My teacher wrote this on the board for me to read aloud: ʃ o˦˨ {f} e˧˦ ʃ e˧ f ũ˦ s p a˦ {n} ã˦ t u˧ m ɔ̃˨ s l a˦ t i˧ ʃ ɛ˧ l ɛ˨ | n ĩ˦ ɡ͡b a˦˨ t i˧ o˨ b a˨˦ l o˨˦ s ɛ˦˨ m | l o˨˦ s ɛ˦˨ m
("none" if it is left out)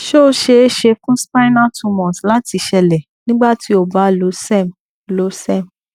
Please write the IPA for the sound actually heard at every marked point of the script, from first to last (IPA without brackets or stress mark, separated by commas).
ʃ, n